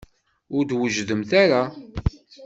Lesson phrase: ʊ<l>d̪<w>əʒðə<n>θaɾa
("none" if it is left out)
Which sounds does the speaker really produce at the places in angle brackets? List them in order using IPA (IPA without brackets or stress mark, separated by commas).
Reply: ɾ, w, m